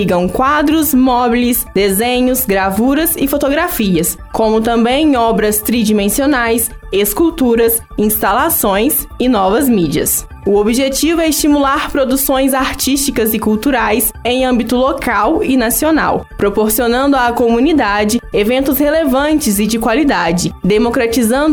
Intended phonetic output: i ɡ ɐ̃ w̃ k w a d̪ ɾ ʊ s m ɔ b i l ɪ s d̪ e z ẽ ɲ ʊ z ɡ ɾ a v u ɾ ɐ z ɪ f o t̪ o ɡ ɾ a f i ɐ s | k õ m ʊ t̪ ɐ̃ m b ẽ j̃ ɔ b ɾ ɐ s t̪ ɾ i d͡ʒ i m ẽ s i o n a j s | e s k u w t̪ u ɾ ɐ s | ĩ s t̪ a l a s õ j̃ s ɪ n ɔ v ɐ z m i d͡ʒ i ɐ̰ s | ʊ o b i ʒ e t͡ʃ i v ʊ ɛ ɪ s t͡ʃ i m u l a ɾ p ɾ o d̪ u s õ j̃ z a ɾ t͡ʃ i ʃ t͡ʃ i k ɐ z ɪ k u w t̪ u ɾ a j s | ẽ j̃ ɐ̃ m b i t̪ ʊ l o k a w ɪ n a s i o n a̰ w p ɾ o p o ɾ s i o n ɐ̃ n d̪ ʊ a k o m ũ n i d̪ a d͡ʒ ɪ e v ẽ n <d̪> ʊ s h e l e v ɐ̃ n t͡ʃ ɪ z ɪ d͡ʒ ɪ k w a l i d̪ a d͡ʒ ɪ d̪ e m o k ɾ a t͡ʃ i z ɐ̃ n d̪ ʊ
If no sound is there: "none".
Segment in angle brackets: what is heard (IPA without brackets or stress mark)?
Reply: t̪